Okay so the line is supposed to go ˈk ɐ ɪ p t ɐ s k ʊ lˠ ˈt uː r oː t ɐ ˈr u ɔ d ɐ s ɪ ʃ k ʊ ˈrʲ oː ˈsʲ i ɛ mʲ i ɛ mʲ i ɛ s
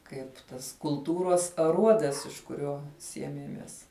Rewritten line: ˈk ɐ ɪ p t ɐ s k ʊ lˠ ˈt uː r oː s ɐ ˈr u ɔ d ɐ s ɪ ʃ k ʊ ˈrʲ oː ˈsʲ i ɛ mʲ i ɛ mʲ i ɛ s